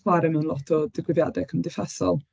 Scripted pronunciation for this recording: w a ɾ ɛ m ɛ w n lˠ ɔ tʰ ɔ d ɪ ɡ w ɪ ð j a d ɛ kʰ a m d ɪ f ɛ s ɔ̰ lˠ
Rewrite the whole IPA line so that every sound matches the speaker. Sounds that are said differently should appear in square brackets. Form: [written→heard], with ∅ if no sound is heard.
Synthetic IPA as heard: w a ɾ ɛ m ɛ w n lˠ ɔ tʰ ɔ d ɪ ɡ w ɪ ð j a d ɛ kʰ [a→ə] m d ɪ f ɛ s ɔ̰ lˠ